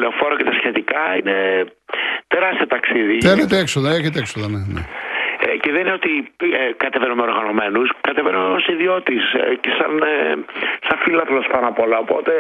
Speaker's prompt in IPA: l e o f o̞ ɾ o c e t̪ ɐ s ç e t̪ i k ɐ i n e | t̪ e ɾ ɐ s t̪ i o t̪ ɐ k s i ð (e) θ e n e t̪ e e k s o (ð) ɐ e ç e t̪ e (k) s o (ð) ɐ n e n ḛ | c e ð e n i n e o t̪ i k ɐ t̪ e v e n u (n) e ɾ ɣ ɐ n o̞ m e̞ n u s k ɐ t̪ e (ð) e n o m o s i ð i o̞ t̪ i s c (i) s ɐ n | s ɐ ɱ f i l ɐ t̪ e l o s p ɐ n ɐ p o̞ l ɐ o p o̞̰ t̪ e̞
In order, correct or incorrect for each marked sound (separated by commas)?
incorrect, correct, correct, correct, incorrect, incorrect, incorrect